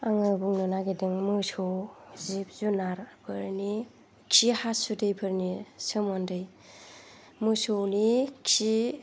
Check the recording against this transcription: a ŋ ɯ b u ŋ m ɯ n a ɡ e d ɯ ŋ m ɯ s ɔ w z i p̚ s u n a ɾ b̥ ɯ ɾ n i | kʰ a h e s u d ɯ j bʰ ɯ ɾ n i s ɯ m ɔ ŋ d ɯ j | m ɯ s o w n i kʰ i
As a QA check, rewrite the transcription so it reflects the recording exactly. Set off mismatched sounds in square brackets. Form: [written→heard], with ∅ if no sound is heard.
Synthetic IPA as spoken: a ŋ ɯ b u ŋ [m→n] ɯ n a ɡ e d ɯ ŋ m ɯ s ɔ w z i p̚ [s→z] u n a ɾ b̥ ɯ ɾ n i | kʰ [a→i] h [e→a] s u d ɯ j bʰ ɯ ɾ n i s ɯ m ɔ [ŋ→n] d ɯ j | m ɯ s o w n i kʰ i